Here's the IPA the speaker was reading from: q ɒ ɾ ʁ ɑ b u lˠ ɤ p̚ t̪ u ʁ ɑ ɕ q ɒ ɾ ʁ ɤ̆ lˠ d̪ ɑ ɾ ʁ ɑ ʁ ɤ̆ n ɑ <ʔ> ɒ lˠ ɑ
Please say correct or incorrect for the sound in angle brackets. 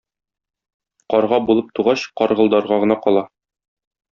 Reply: incorrect